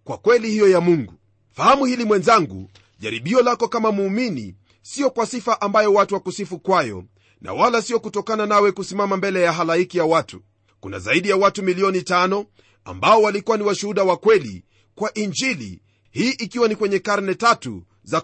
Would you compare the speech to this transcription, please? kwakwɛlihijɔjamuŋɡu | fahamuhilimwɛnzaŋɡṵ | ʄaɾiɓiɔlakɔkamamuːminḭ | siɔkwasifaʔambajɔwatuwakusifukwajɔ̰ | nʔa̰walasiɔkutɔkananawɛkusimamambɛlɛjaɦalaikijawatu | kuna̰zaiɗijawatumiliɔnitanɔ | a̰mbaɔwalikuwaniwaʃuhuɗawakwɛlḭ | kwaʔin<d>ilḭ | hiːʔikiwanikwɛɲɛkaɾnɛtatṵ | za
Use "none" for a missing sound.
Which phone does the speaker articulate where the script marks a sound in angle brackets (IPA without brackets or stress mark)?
d͡ʒ